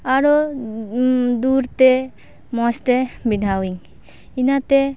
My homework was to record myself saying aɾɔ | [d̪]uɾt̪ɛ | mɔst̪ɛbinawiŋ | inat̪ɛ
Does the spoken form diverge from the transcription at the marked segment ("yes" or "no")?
no